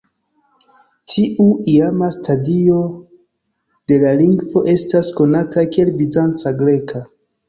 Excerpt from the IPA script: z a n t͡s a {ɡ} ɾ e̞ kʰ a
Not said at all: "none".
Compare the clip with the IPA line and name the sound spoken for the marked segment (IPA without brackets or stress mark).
ɡ